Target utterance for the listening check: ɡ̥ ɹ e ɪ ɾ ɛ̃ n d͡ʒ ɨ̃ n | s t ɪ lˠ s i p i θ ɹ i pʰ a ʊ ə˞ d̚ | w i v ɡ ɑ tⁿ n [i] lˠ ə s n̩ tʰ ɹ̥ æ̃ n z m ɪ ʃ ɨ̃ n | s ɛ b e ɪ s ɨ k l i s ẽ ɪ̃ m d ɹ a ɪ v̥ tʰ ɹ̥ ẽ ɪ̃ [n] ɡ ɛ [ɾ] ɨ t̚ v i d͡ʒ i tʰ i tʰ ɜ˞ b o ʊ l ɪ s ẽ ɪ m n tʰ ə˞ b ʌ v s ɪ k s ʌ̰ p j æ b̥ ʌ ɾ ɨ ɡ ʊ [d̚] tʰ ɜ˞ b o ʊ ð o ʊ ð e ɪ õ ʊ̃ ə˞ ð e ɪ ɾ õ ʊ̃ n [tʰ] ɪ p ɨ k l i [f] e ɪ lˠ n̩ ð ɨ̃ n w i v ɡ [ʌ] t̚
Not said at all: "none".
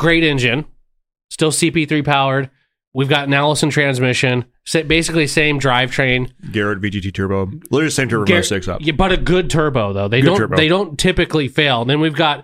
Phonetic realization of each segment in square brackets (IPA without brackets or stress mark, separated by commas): æ, n, ɹ, d̚, tʰ, f, ɑ